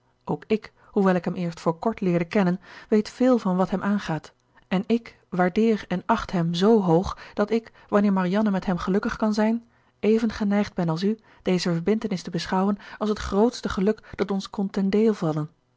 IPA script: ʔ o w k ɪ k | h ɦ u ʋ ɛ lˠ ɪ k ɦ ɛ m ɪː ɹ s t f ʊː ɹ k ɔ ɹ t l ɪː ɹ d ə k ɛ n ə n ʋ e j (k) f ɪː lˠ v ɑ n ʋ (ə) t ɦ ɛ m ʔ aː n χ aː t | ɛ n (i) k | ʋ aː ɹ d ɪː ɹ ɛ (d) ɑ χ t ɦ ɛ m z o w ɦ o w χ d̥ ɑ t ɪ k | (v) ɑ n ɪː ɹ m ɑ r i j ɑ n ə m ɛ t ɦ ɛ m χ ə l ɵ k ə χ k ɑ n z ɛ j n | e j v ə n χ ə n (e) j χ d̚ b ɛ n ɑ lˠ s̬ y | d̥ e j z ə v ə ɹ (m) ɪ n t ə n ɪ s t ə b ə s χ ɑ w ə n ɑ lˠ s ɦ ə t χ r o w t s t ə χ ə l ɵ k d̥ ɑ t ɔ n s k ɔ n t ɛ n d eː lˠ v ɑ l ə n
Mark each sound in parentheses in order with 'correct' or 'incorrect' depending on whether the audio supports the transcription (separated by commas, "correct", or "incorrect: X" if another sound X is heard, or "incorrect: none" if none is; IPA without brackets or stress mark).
incorrect: t, incorrect: ɑ, incorrect: ɪ, incorrect: n, incorrect: ʋ, incorrect: ɛ, incorrect: b